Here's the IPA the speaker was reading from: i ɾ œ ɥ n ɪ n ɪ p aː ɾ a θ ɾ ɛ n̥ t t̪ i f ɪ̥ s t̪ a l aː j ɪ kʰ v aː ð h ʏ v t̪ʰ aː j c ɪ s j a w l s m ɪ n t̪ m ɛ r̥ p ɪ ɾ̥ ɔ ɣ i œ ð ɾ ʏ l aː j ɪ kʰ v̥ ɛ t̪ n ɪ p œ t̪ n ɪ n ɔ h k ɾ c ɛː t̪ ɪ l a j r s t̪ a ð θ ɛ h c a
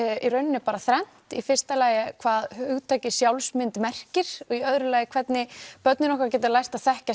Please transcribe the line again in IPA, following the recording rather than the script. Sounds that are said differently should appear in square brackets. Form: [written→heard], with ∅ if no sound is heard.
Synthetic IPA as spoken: i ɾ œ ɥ n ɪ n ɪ p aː ɾ a θ ɾ ɛ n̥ t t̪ i f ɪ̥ s t̪ a l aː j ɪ kʰ v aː ð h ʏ [v→ɣ] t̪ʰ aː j c ɪ s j a w l s m ɪ n t̪ m ɛ r̥ [p→c] ɪ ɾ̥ ɔ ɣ i œ ð ɾ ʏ l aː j ɪ kʰ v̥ ɛ t̪ n ɪ p œ t̪ n ɪ n ɔ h k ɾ c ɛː t̪ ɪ l a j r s t̪ a ð θ ɛ h c a